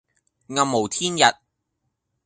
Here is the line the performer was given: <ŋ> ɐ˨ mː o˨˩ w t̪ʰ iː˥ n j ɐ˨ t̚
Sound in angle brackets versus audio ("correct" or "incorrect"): correct